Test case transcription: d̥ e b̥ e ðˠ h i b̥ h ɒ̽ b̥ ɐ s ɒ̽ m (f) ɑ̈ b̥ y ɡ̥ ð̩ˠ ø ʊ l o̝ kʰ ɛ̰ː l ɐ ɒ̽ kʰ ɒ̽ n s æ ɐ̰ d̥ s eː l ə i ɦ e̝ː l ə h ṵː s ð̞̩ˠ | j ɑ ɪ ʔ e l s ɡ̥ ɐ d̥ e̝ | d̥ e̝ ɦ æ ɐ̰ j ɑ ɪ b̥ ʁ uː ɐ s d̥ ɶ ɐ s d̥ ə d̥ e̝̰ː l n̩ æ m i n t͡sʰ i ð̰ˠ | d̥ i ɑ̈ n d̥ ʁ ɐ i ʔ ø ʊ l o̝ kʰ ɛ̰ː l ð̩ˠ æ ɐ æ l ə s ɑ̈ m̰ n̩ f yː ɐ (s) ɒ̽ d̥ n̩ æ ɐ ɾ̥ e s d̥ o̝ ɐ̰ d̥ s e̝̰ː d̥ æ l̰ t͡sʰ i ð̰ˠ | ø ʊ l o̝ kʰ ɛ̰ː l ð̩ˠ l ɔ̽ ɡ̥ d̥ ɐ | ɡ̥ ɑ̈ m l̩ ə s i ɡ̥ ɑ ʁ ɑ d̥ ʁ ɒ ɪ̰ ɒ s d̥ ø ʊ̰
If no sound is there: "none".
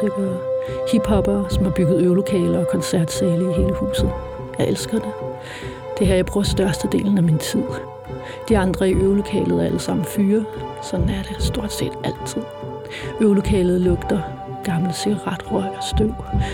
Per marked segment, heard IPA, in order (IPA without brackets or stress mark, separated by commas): h, s